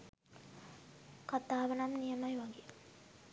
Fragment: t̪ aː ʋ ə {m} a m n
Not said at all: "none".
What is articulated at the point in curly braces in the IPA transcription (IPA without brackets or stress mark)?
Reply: n